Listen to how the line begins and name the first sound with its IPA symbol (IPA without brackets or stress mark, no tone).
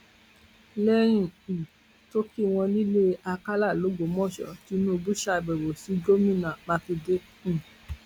l